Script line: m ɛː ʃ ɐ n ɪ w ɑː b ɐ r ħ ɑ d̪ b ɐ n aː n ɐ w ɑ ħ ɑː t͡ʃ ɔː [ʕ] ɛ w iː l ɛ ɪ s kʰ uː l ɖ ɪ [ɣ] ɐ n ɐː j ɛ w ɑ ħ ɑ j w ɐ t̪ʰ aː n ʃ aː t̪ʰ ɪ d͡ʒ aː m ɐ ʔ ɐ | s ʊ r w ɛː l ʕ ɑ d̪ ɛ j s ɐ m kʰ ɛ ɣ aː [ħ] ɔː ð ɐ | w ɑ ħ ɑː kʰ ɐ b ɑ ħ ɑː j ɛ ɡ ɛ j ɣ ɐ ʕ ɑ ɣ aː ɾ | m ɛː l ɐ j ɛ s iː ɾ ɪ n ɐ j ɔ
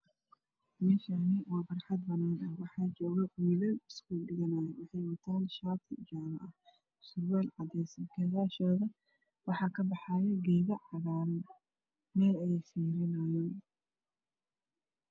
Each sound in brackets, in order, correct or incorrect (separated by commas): incorrect, correct, incorrect